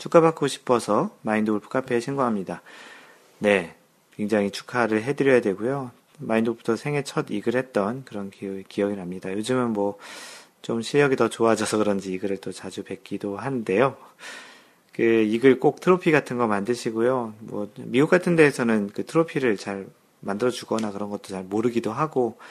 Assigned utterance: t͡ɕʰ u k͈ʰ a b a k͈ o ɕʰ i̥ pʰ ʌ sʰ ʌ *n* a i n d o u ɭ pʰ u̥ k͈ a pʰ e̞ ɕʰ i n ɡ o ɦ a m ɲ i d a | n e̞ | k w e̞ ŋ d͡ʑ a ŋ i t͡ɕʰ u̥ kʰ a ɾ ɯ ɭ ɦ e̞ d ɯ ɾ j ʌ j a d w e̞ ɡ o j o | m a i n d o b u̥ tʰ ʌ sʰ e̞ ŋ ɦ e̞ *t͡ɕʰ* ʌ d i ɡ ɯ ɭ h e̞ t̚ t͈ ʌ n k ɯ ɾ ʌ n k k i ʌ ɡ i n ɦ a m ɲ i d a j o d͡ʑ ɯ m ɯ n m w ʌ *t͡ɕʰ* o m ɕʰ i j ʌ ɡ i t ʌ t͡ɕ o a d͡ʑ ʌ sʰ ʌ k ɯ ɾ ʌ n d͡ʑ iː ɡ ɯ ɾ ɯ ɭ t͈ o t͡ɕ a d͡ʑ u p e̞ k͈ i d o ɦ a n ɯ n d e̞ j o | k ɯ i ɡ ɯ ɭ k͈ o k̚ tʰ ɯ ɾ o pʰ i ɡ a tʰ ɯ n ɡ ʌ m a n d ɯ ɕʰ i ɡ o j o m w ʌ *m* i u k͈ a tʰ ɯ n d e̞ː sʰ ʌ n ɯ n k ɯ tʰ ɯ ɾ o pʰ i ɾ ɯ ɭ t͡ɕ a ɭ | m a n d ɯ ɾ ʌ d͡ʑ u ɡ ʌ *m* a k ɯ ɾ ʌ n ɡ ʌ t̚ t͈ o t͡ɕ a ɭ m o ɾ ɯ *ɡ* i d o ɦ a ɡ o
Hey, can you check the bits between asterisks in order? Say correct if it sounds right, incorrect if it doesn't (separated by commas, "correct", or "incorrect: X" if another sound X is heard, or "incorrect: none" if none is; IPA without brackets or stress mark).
incorrect: m, correct, incorrect: t͡ɕ, correct, incorrect: n, correct